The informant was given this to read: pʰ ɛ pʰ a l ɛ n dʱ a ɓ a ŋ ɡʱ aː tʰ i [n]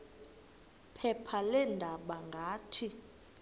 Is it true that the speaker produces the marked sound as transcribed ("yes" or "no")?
no